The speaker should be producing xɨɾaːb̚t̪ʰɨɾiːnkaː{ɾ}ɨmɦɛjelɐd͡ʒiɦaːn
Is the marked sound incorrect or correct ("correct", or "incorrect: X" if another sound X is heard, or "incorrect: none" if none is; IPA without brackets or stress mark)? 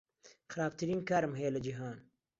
correct